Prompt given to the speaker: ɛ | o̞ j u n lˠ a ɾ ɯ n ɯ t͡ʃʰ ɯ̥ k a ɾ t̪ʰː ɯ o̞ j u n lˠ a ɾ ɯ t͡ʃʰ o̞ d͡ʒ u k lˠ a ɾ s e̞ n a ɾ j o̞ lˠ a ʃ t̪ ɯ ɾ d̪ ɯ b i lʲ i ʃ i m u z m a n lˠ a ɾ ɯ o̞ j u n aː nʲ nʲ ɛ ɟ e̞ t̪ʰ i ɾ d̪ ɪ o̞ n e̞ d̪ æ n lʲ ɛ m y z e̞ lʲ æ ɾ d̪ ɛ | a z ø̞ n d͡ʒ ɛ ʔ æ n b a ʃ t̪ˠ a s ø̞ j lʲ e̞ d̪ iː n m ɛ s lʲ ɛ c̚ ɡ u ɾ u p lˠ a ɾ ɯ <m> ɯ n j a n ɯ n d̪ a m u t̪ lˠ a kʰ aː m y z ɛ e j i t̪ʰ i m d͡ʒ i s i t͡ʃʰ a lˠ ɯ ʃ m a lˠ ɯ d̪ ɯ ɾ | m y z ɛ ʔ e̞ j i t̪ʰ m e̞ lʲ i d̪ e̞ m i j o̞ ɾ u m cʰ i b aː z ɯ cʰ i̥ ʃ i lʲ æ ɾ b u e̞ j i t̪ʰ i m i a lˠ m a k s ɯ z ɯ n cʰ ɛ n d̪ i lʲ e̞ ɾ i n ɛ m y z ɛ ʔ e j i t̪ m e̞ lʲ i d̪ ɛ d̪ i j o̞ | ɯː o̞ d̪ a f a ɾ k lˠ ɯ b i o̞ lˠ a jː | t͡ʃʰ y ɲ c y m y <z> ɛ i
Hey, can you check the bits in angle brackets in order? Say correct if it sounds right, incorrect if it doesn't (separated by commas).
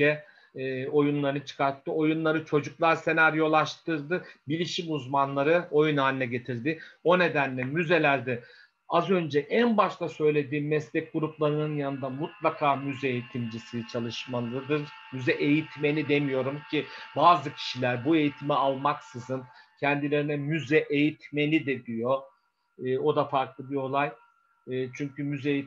incorrect, correct